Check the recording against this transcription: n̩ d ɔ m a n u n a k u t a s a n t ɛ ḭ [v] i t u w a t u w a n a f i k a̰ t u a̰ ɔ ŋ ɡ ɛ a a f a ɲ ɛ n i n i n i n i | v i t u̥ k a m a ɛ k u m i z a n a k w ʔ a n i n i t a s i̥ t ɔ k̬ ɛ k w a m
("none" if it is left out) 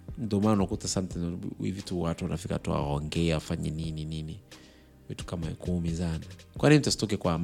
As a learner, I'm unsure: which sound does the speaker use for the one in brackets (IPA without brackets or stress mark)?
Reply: v